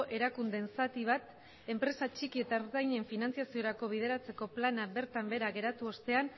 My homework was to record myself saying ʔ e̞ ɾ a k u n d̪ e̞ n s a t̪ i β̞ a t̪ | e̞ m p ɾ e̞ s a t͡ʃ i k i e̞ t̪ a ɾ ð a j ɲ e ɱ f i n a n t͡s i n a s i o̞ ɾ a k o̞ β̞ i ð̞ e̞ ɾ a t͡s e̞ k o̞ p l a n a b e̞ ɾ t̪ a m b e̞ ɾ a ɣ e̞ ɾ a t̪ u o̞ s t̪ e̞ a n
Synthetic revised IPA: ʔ e̞ ɾ a k u n d̪ e̞ n s a t̪ i β̞ a t̪ | e̞ m p ɾ e̞ s a t͡ʃ i k i e̞ t̪ a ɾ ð a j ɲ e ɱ f i n a n t͡s i a s i o̞ ɾ a k o̞ β̞ i ð̞ e̞ ɾ a t͡s e̞ k o̞ p l a n a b e̞ ɾ t̪ a m b e̞ ɾ a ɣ e̞ ɾ a t̪ u o̞ s t̪ e̞ a n